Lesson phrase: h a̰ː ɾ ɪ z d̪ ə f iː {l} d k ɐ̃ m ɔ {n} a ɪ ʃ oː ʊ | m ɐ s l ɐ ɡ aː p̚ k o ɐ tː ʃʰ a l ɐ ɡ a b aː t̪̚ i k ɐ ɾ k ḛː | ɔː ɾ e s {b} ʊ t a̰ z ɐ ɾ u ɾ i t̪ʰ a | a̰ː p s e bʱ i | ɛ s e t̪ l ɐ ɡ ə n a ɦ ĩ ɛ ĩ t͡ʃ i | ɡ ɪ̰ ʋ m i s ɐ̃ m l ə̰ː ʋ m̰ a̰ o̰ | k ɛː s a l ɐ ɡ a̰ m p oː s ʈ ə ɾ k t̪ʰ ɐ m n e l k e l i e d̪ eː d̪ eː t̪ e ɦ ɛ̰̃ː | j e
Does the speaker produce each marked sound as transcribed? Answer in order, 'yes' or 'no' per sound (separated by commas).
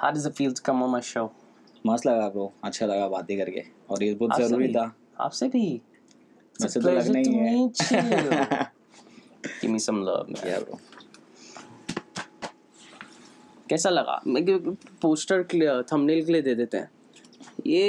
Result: yes, no, yes